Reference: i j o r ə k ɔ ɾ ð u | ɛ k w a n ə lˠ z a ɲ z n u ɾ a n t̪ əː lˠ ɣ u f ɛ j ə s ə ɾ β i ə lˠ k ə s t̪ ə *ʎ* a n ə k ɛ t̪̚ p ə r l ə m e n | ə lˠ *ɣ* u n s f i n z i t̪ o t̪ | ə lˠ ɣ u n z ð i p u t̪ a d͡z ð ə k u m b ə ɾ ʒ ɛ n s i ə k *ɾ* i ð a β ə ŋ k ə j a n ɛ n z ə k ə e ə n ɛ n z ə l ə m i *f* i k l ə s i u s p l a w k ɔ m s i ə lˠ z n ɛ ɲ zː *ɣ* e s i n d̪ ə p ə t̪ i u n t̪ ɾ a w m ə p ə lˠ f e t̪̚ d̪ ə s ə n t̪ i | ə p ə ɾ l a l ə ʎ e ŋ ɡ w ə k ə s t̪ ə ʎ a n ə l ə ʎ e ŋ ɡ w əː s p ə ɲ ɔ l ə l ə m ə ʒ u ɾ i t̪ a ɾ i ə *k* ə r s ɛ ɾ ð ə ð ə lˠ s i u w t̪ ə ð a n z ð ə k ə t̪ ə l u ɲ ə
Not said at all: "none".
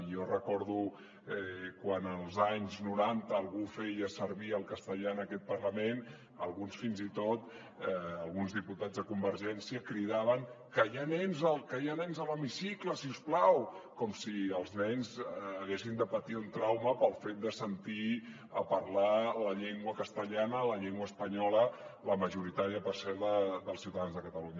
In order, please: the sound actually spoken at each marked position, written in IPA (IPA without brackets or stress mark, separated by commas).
ʎ, ɣ, ɾ, s, ɣ, p